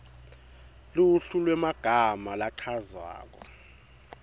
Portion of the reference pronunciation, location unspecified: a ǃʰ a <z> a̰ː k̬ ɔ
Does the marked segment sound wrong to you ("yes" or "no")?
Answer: no